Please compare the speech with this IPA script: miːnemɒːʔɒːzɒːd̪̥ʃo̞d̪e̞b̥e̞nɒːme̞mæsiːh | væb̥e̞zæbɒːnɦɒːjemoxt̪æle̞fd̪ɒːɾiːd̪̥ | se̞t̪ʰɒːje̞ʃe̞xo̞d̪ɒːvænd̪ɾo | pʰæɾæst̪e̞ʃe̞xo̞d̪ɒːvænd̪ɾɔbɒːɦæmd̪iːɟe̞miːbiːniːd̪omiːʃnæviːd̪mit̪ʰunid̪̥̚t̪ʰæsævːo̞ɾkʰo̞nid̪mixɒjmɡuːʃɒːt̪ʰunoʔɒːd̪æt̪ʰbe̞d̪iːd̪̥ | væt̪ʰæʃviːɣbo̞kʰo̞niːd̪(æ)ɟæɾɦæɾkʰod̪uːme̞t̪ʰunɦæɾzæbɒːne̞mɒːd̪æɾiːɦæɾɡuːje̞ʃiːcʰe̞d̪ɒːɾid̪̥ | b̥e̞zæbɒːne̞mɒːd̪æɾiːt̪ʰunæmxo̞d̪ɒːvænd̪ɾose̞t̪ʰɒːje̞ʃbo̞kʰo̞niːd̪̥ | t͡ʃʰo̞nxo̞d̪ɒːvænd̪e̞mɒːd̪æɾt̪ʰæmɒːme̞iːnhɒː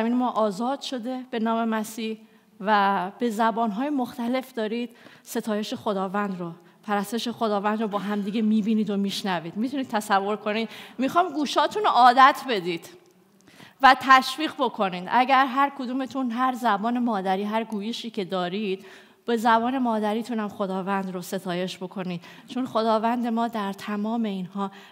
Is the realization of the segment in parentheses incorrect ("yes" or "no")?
no